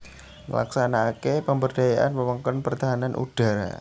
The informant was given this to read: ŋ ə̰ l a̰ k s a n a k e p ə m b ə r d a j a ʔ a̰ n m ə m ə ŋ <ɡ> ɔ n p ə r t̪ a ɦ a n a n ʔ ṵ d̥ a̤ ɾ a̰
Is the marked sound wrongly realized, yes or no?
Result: yes